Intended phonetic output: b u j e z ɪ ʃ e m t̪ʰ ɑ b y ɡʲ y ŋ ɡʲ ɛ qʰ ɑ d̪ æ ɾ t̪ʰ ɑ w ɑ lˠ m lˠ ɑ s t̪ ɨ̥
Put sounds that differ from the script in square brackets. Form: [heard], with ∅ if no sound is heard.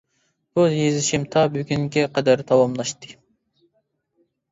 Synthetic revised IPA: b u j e z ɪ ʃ [i] m t̪ʰ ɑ b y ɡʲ y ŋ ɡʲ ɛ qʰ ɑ d̪ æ ɾ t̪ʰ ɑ w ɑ [∅] m lˠ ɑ [ʃ] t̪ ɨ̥